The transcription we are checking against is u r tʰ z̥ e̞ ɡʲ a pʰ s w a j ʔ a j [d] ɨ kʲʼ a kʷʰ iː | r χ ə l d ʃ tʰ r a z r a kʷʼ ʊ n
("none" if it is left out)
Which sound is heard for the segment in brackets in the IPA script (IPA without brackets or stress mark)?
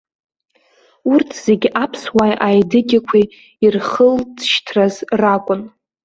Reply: d